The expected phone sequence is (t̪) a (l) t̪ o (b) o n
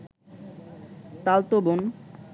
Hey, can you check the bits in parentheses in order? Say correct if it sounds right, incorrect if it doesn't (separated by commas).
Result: correct, correct, correct